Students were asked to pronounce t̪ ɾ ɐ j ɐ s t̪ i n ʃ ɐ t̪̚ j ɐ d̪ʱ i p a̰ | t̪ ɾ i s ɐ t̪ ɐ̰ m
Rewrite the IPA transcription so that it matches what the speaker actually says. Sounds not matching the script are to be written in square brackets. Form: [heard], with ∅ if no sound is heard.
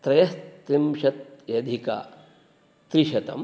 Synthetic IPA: t̪ ɾ ɐ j ɐ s t̪ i [m] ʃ ɐ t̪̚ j ɐ d̪ʱ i [k] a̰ | t̪ ɾ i [ʃ] ɐ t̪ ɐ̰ m